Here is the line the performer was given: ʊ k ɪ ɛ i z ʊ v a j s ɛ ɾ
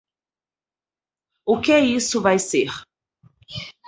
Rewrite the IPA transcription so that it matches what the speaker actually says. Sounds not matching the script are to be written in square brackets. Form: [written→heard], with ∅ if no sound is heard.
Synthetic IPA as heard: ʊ k ɪ ɛ i [z→s] ʊ v a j s [ɛ→e] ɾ